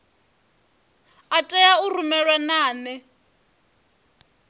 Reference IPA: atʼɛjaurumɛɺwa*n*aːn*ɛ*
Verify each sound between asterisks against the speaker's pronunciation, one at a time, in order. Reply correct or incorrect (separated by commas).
correct, correct